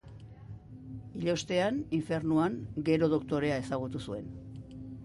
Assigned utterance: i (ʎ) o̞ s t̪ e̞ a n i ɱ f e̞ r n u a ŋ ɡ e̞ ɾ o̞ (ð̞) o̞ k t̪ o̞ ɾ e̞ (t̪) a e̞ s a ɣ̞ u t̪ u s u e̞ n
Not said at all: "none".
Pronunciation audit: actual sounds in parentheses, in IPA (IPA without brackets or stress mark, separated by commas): ʎ, ð̞, none